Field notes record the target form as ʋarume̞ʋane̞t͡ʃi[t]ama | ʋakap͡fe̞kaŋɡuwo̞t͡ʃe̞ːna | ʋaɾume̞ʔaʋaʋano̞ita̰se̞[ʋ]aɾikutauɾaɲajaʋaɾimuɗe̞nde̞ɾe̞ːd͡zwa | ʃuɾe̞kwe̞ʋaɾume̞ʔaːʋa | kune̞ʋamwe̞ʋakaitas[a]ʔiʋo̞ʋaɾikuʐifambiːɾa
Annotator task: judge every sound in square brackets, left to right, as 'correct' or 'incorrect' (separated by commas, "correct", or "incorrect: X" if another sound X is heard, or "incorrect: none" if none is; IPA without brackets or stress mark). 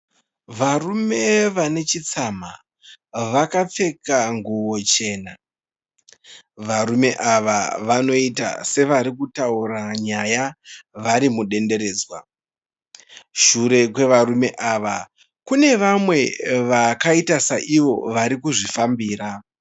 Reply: incorrect: t͡s, correct, correct